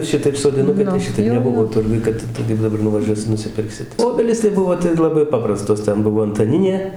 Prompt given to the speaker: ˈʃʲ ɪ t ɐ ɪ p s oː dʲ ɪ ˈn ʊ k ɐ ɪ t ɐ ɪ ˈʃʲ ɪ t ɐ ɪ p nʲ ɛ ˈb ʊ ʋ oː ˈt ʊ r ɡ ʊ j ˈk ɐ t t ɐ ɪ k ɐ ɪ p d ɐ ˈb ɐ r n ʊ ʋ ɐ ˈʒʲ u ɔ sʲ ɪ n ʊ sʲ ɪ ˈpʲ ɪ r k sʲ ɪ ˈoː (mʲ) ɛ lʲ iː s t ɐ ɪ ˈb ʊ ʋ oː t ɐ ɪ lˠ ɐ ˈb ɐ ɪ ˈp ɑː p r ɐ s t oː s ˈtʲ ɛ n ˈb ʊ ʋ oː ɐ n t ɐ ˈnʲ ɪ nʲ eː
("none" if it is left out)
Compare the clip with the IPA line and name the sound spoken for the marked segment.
bʲ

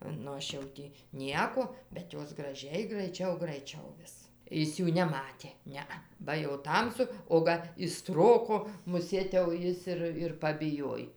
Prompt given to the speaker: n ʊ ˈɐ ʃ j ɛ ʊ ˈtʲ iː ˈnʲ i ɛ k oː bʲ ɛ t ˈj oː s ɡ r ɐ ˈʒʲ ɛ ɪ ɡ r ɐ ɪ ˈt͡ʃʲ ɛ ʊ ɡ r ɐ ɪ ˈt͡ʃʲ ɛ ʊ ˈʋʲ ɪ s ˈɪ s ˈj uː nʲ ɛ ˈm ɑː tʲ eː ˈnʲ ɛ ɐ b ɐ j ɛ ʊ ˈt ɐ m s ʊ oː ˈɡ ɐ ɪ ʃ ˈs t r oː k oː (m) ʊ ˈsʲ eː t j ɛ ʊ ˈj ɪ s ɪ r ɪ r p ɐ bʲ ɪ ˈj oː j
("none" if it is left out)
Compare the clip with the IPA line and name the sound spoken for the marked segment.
m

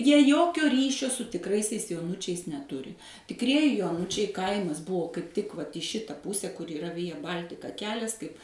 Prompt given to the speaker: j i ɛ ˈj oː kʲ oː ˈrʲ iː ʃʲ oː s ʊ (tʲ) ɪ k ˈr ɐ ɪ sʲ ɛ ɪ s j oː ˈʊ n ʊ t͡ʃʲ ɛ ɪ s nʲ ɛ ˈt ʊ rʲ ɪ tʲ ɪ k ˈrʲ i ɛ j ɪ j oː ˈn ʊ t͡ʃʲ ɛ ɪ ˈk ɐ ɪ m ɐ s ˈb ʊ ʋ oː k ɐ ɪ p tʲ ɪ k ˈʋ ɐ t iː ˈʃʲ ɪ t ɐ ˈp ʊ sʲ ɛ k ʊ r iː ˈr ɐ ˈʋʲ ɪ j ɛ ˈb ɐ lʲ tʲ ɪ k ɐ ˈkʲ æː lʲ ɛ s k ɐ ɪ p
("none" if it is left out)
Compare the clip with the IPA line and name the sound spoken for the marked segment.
tʲ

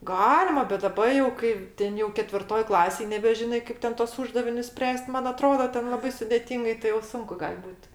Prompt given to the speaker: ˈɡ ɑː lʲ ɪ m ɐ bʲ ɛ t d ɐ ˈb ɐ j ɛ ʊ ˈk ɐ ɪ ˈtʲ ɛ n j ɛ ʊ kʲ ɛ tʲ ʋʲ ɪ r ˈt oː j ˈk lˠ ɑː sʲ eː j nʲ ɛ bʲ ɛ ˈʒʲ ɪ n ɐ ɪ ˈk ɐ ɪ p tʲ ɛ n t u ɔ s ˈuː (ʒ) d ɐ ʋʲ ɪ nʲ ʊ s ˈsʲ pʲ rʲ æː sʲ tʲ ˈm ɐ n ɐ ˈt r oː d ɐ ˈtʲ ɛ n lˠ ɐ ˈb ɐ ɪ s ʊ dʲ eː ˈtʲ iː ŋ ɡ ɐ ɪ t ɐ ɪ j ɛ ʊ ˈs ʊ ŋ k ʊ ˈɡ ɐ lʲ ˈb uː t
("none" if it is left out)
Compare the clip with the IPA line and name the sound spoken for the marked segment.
ʒ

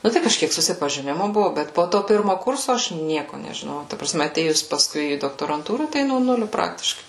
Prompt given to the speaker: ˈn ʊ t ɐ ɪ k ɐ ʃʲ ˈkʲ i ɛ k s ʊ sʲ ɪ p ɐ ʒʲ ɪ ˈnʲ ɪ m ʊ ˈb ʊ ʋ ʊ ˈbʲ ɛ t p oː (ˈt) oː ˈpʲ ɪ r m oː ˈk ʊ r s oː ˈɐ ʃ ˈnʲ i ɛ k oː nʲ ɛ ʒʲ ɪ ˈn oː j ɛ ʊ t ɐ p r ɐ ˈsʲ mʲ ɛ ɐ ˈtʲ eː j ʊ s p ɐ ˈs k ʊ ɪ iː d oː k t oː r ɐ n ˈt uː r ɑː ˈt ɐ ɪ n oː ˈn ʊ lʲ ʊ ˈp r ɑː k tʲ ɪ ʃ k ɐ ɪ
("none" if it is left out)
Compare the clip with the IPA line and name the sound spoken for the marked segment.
t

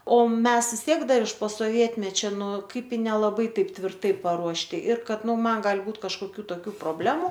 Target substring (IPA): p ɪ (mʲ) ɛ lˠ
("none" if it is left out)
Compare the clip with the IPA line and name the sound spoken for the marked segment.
nʲ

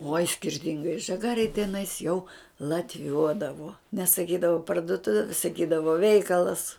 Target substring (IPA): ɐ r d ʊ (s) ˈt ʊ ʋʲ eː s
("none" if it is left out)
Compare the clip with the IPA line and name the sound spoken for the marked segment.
none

